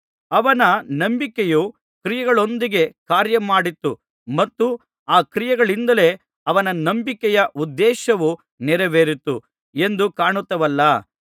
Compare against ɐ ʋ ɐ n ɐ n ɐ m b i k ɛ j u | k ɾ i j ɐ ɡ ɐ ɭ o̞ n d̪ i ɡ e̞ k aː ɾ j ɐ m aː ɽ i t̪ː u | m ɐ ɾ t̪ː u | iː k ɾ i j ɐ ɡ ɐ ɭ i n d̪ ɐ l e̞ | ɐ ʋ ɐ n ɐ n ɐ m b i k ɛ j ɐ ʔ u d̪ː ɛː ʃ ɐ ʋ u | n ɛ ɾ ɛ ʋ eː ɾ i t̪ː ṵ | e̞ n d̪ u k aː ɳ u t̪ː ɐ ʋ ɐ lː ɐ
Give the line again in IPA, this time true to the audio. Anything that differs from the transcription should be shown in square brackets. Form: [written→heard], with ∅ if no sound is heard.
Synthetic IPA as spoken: ɐ ʋ ɐ n ɐ n ɐ m b i k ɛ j u | k ɾ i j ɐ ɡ ɐ ɭ o̞ n d̪ i ɡ e̞ k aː ɾ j ɐ m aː ɽ i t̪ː u | m ɐ [ɾ→∅] t̪ː u | [iː→aː] k ɾ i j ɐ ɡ ɐ ɭ i n d̪ ɐ l e̞ | ɐ ʋ ɐ n ɐ n ɐ m b i k ɛ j ɐ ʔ u d̪ː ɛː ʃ ɐ ʋ u | n ɛ ɾ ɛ ʋ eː ɾ i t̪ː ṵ | e̞ n d̪ u k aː ɳ u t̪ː ɐ ʋ ɐ lː ɐ

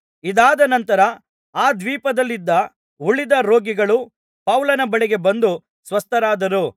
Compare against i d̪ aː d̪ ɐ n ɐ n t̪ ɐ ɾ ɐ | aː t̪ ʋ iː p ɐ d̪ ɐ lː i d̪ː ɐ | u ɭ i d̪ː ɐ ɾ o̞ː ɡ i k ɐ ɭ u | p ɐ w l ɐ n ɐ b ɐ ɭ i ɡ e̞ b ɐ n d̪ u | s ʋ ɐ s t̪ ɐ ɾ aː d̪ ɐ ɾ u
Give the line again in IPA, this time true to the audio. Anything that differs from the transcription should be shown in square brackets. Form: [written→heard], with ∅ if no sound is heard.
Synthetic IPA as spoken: i d̪ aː d̪ ɐ n ɐ n t̪ ɐ ɾ ɐ | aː [t̪→d̪] ʋ iː p ɐ d̪ ɐ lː i d̪ː ɐ | u ɭ i [d̪ː→d̪] ɐ ɾ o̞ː ɡ i [k→ɡ] ɐ ɭ u | p ɐ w l ɐ n ɐ b ɐ ɭ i ɡ e̞ b ɐ n d̪ u | s ʋ ɐ s t̪ ɐ ɾ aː d̪ ɐ ɾ u

